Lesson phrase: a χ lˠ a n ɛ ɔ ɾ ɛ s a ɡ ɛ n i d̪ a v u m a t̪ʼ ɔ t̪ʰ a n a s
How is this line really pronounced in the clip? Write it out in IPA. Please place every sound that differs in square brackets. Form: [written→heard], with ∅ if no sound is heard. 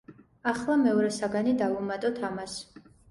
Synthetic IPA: a χ lˠ a [n→m] ɛ ɔ ɾ ɛ s a ɡ [ɛ→a] n i d̪ a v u m a t̪ʼ ɔ t̪ʰ a [n→m] a s